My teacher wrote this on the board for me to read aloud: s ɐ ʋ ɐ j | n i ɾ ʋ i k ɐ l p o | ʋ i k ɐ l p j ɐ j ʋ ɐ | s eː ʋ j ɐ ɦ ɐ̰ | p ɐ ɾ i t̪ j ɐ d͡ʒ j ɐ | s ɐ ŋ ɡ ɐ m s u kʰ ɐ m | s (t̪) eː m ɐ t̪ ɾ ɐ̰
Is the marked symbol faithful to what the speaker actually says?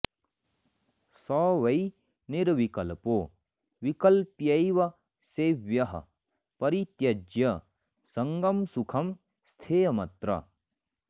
no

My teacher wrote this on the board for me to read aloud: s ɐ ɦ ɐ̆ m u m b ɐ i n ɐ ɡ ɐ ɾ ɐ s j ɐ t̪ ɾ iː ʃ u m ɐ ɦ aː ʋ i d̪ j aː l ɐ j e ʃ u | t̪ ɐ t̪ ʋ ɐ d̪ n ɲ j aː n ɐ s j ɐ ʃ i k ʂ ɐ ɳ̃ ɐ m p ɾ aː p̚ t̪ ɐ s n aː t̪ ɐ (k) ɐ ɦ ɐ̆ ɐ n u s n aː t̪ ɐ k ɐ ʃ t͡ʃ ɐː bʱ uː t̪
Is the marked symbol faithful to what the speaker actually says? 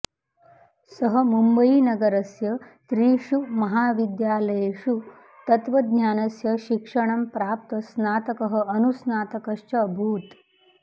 yes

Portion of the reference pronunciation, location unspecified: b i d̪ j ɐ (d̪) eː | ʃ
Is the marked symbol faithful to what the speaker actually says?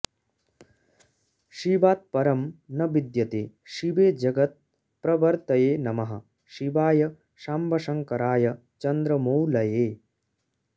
no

